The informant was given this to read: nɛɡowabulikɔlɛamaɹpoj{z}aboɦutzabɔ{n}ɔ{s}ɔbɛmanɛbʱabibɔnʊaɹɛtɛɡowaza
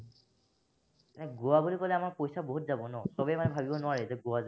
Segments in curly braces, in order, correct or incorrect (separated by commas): incorrect, correct, correct